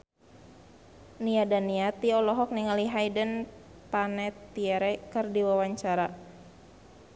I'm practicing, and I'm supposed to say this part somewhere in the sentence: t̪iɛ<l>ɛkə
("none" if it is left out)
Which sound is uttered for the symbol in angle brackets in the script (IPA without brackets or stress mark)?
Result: ɾ